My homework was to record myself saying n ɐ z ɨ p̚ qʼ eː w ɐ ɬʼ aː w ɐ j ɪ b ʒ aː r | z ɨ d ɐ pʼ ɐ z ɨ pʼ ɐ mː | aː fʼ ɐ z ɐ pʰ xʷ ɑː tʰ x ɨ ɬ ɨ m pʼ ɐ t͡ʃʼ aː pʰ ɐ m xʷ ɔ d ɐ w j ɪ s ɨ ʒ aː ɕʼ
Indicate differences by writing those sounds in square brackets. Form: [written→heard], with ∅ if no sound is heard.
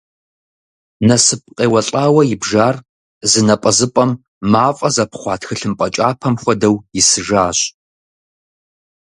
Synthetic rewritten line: n ɐ [z→s] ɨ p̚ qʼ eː w ɐ ɬʼ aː w ɐ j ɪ b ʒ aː r | z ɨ [d→n] ɐ pʼ ɐ z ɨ pʼ ɐ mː | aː fʼ ɐ z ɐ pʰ [xʷ→χʷ] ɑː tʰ x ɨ ɬ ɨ m pʼ ɐ t͡ʃʼ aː pʰ ɐ m xʷ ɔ d ɐ w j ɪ s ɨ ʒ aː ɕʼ